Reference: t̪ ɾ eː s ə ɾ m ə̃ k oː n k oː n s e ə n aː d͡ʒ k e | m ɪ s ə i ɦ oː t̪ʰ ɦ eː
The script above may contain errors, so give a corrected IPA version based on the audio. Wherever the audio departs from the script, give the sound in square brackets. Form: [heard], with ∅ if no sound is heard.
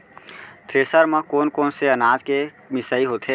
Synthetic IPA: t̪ ɾ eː s ə ɾ m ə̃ k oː n k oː n s e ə n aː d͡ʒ k e | m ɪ s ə i ɦ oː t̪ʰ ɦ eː

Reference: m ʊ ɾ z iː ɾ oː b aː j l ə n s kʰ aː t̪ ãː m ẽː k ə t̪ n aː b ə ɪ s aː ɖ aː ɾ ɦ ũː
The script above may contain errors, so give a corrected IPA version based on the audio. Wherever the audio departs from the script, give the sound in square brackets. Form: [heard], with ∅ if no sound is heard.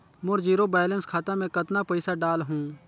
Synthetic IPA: m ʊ ɾ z iː ɾ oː b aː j l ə n s kʰ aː t̪ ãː m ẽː k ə t̪ n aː [p] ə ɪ s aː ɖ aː [l] ɦ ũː

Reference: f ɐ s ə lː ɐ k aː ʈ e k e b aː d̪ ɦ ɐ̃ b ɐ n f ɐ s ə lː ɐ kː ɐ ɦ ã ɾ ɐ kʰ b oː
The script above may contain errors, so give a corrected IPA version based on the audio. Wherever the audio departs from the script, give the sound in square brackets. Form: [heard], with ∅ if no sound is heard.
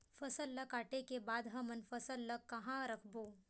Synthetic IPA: f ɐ s ə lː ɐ k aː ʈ e k e b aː d̪ ɦ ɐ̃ [m] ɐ n f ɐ s ə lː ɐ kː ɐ ɦ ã ɾ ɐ kʰ b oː

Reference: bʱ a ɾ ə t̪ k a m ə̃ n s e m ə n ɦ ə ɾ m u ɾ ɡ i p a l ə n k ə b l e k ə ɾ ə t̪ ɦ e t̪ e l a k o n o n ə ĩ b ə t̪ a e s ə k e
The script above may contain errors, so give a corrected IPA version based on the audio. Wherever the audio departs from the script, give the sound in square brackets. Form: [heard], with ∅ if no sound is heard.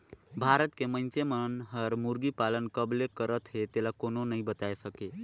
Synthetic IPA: bʱ a ɾ ə t̪ k [e] m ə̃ n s e m ə n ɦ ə ɾ m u ɾ ɡ i p a l ə n k ə b l e k ə ɾ ə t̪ ɦ e t̪ e l a k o n o n ə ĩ b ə t̪ a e s ə k e

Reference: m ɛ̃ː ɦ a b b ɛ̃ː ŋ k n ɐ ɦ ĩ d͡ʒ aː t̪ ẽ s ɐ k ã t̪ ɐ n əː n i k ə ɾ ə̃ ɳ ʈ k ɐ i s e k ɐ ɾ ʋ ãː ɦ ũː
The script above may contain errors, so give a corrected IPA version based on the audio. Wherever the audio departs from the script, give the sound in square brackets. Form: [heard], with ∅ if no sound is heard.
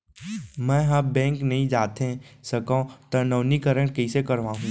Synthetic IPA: m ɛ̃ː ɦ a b b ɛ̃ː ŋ k n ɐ ɦ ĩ d͡ʒ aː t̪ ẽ s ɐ k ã t̪ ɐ n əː n i k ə ɾ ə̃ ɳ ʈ k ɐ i s e k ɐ ɾ ʋ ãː ɦ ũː

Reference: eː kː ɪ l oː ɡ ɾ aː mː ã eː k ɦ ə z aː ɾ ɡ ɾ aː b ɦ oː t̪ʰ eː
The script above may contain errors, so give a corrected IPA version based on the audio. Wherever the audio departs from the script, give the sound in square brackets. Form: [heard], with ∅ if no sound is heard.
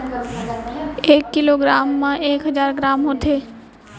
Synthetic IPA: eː kː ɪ l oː ɡ ɾ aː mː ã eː k ɦ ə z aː ɾ ɡ ɾ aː [m] ɦ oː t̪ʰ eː

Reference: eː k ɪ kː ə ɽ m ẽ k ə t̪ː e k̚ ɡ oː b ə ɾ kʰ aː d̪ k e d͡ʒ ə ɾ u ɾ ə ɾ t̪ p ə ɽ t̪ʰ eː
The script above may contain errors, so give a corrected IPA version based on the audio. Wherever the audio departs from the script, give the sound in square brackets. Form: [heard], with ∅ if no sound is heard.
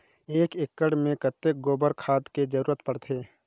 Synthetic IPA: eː k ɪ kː ə ɽ m ẽ k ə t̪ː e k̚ ɡ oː b ə ɾ kʰ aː d̪ k e d͡ʒ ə ɾ [uː] ɾ ə [∅] t̪ p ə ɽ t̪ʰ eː

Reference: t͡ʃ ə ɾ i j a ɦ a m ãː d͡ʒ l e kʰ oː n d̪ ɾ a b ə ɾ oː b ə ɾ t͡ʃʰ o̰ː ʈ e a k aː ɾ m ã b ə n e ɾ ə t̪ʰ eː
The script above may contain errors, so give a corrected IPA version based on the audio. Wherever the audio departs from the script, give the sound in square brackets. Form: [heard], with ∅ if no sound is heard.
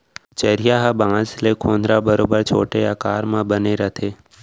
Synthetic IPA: t͡ʃ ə ɾ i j a ɦ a [b] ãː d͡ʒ l e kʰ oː n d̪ ɾ a b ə ɾ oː b ə ɾ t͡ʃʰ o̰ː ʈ e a k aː ɾ m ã b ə n e ɾ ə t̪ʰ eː

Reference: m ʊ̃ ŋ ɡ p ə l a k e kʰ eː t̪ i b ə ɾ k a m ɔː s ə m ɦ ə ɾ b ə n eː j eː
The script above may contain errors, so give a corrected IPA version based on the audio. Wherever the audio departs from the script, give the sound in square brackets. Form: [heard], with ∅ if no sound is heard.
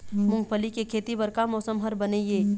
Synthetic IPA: m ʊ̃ ŋ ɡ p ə l [i] k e kʰ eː t̪ i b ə ɾ k a m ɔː s ə m ɦ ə ɾ b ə n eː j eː

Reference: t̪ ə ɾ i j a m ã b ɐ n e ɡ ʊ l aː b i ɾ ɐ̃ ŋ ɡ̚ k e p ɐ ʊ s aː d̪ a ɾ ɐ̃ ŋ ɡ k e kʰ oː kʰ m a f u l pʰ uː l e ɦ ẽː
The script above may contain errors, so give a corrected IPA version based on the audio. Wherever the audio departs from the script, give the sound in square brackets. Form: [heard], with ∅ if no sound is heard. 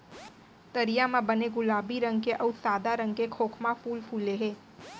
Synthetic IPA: t̪ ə ɾ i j a m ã b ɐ n e ɡ ʊ l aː b i ɾ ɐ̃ ŋ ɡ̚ k e [ʔ] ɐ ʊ s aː d̪ a ɾ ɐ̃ ŋ ɡ k e kʰ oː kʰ m a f [uː] l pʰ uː l e ɦ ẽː

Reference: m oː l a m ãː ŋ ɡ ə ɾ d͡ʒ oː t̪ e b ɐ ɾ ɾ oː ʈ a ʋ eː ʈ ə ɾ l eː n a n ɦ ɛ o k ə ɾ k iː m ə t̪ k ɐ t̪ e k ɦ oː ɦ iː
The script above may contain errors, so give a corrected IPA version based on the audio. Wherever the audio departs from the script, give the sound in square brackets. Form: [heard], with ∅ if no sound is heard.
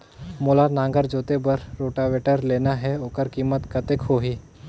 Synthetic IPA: m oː l a [n] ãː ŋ ɡ ə ɾ d͡ʒ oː t̪ e b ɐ ɾ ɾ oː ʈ a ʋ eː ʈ ə ɾ l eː n a [∅] ɦ ɛ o k ə ɾ k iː m ə t̪ k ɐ t̪ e k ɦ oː ɦ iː

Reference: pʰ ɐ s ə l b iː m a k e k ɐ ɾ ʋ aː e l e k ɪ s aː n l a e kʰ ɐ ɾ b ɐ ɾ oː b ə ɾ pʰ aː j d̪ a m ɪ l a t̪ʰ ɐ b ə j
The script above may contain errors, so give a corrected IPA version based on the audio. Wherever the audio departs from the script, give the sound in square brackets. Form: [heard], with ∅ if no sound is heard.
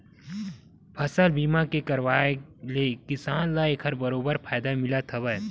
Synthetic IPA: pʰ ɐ s ə l b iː m a k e k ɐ ɾ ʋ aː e l e k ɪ s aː n l a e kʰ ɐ ɾ b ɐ ɾ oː b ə ɾ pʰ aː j d̪ a m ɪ l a t̪ʰ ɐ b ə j

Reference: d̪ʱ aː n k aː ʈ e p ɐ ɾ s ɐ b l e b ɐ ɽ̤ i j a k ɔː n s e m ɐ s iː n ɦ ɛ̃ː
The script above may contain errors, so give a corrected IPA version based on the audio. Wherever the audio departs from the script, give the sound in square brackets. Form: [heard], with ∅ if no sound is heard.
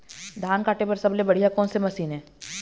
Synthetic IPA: d̪ʱ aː n k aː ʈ e p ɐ ɾ s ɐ b l e b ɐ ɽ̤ i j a k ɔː n s e m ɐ s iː n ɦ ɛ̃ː

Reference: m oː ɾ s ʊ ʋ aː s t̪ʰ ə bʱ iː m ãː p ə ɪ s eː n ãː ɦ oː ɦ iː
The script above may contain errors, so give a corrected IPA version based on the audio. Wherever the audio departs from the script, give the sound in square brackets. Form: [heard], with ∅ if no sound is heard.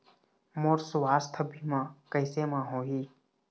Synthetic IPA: m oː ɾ s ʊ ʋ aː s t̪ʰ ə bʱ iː m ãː [k] ə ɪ s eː [m] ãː ɦ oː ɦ iː

